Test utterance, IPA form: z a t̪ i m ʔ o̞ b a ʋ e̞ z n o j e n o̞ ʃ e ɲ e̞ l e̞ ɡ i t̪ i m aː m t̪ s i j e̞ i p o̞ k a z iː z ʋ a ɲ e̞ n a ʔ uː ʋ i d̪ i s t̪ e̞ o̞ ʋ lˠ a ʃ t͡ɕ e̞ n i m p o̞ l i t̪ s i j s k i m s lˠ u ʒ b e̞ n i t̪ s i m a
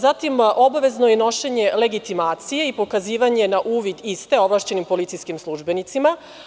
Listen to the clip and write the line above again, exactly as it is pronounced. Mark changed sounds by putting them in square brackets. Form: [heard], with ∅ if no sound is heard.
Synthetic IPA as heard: z a t̪ i m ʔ o̞ b a ʋ e̞ z n o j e n o̞ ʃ e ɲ e̞ l e̞ ɡ i t̪ i m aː [∅] t̪ s i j e̞ i p o̞ k a z iː [∅] ʋ a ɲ e̞ n a ʔ uː ʋ i d̪ i s t̪ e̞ o̞ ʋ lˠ a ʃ t͡ɕ e̞ n i m p o̞ l i t̪ s i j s k i m s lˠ u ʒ b e̞ n i t̪ s i m a

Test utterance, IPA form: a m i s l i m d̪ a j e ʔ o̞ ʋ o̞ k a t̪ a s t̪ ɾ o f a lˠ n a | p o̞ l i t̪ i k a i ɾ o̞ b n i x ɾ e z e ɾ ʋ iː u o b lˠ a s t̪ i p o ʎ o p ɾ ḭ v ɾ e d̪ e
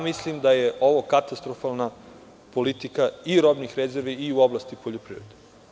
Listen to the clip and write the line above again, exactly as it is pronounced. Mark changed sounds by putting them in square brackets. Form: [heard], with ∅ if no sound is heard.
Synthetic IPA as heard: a m i s l i m d̪ a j e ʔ o̞ ʋ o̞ k a t̪ a s t̪ ɾ o f a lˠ n a | p o̞ l i t̪ i k a i ɾ o̞ b n i x ɾ e z e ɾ ʋ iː u o b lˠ a s t̪ i p o ʎ o p ɾ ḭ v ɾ e d̪ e

